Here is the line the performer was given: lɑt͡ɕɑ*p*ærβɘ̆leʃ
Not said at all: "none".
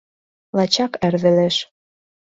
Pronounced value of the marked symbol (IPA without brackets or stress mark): k